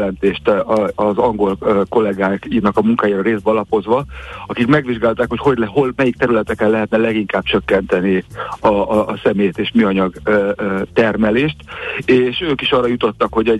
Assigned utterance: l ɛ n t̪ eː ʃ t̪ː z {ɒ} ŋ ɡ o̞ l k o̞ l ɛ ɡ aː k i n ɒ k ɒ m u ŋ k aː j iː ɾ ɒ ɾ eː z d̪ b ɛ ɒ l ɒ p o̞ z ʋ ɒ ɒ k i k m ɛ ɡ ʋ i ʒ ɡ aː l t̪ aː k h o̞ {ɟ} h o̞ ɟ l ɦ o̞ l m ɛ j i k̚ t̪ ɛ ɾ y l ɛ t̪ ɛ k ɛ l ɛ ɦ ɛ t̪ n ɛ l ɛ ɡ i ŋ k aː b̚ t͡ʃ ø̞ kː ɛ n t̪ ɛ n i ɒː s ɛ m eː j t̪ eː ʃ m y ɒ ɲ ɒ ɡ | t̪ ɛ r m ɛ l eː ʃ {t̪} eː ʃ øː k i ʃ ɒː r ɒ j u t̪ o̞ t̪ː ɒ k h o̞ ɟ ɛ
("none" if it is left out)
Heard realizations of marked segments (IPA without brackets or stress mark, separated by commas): ɒ, c, t̪